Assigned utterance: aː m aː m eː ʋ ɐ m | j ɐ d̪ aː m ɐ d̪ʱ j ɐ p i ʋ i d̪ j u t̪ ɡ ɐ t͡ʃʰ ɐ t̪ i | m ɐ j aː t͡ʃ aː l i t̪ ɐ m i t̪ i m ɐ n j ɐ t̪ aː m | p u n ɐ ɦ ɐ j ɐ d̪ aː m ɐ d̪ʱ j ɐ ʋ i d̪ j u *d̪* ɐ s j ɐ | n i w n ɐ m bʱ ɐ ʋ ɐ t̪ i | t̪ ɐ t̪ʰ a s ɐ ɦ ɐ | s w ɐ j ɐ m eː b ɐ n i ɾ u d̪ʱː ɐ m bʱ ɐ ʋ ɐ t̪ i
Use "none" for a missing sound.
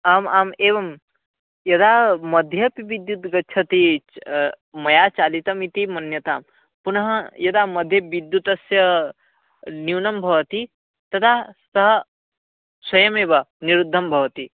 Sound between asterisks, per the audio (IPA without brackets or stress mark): t̪